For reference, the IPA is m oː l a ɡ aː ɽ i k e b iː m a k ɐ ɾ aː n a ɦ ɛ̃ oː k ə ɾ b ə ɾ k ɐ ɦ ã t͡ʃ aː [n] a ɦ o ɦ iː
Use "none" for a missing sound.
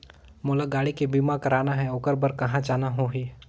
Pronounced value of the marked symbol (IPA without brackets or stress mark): n